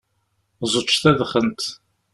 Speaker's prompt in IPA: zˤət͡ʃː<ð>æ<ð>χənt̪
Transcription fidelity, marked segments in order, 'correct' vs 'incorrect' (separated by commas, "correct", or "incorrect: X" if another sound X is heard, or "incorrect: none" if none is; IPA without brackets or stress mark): incorrect: θ, correct